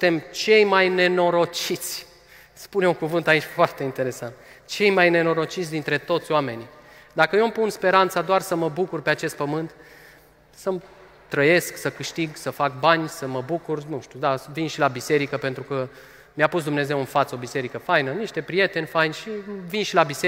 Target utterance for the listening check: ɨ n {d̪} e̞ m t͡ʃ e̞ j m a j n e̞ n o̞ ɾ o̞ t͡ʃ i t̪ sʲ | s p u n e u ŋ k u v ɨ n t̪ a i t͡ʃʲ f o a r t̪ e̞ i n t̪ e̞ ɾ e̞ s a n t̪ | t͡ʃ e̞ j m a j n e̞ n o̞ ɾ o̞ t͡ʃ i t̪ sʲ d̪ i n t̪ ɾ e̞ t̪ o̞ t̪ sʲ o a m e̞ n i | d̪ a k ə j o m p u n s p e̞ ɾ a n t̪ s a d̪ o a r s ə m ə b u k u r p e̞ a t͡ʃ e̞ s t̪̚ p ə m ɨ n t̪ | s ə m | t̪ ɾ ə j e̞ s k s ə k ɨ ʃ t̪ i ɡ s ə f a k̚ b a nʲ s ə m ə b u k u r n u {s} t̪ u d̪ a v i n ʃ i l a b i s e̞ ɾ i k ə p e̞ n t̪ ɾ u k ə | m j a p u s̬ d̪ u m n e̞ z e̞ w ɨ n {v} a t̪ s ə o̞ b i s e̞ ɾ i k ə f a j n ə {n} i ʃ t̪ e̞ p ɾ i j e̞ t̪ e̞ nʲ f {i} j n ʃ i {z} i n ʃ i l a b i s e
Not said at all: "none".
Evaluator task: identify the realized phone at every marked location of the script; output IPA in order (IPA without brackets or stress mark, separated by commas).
t̪, ʃ, f, n, a, v